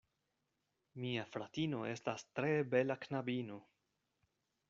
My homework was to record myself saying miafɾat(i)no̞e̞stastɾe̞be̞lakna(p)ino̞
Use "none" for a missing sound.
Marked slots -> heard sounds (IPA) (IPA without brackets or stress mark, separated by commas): i, b